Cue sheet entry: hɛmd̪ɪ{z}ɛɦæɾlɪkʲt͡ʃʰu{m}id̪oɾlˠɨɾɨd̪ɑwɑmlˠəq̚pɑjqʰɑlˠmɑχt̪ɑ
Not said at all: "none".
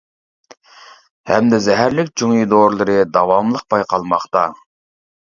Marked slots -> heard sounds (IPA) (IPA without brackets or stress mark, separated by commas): z, ŋ